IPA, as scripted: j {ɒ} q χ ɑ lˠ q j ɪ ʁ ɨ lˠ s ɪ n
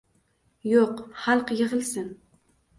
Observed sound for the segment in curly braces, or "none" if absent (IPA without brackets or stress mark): o